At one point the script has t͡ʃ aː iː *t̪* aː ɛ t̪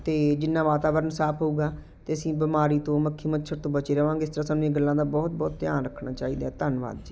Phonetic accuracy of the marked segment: incorrect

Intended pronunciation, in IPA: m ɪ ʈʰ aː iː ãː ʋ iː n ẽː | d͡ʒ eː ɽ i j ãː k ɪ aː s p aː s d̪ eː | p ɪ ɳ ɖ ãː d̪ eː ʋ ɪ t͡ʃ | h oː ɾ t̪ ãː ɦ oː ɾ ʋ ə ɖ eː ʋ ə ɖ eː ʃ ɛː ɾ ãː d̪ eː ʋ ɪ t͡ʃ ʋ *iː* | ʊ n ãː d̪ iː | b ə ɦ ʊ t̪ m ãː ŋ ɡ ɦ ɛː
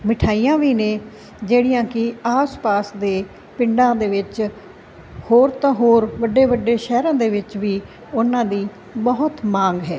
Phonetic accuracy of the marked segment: correct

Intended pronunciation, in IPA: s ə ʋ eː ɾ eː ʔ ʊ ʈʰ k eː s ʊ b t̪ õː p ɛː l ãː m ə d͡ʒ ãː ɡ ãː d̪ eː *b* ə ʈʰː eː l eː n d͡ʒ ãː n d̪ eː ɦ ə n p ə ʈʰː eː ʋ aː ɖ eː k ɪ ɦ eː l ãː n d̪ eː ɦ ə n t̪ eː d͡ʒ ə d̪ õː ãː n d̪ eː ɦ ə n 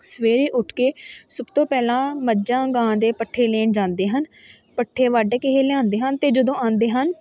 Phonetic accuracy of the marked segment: incorrect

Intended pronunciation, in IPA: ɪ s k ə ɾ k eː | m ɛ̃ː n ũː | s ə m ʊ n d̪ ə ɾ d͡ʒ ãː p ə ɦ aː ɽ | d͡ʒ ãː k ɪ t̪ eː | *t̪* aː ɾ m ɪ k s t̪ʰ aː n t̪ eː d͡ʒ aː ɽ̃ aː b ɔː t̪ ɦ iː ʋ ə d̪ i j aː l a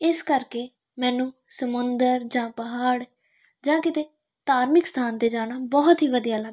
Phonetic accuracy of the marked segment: correct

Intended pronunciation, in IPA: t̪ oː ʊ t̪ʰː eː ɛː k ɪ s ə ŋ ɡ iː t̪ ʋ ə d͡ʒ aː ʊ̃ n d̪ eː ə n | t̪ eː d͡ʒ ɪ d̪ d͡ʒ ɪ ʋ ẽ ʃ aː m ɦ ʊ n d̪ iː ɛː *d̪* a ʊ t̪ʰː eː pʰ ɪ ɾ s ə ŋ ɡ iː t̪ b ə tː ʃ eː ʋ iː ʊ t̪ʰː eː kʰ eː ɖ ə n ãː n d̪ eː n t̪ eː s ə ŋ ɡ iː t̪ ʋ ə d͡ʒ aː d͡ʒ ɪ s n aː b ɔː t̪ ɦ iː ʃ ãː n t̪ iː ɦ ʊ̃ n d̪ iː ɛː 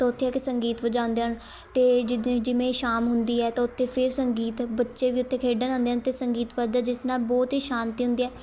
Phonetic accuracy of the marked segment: incorrect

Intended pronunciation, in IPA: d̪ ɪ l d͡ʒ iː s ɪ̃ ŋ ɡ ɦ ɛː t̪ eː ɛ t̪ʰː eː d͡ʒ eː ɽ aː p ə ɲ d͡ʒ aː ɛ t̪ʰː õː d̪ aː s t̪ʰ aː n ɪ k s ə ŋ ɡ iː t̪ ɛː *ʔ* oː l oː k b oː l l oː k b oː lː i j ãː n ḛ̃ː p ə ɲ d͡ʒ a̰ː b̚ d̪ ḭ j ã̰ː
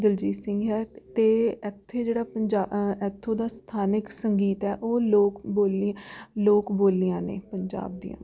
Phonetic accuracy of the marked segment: correct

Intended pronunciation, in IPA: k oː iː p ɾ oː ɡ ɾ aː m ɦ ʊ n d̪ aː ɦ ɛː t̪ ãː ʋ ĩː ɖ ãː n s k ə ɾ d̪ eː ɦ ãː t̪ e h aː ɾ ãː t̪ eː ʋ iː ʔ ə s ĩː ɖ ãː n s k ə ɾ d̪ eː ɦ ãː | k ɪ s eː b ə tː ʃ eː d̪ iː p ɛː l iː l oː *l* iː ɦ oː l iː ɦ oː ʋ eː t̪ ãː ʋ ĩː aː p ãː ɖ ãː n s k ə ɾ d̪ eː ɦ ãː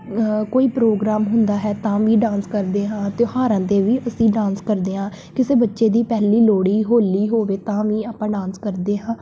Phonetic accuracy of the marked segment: incorrect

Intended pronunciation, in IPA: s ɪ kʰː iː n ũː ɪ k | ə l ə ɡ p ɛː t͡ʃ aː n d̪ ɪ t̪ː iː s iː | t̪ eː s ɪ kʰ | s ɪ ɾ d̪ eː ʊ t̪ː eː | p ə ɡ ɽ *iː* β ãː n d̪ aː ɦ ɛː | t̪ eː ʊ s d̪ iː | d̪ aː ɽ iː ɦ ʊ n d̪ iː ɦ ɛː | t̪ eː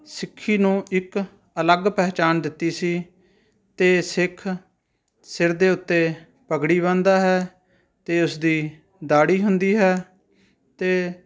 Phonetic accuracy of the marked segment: correct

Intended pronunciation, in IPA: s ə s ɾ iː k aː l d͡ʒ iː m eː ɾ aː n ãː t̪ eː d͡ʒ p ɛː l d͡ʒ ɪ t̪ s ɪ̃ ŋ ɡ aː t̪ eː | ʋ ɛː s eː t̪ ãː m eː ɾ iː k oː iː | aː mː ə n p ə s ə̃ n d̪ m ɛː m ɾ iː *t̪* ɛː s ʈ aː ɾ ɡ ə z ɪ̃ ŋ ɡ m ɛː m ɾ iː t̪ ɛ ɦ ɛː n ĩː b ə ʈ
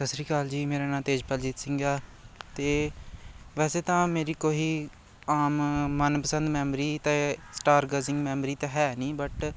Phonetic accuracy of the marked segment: correct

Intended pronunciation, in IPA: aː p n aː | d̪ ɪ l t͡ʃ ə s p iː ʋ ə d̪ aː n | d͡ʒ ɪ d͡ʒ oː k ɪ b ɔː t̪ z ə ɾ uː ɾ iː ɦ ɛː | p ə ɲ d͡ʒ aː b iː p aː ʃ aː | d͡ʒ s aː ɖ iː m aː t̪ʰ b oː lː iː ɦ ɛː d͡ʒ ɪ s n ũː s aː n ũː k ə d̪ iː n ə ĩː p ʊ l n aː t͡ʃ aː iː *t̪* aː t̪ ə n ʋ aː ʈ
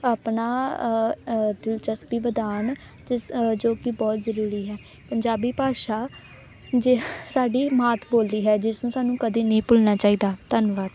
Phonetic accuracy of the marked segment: incorrect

